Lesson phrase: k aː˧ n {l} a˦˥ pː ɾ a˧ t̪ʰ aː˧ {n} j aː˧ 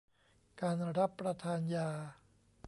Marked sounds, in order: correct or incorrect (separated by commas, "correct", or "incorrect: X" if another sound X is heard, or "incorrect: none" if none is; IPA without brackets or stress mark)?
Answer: incorrect: ɾ, correct